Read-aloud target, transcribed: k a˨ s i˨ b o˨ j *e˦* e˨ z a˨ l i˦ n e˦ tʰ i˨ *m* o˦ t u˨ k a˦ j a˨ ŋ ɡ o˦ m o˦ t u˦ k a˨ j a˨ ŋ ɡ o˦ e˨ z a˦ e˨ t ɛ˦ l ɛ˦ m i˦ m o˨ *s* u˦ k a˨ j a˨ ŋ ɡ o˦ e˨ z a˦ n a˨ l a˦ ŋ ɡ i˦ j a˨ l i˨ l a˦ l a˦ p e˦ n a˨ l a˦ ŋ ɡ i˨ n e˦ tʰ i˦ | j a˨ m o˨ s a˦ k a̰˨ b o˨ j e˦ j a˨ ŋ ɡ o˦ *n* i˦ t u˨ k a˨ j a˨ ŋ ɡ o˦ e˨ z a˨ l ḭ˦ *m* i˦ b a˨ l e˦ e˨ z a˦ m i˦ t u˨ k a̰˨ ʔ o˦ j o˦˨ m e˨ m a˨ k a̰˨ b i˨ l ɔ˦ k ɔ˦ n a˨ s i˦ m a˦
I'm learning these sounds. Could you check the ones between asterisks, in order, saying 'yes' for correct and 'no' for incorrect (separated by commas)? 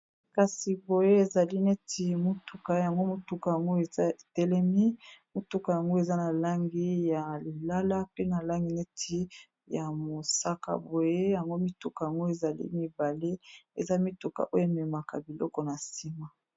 yes, yes, no, no, yes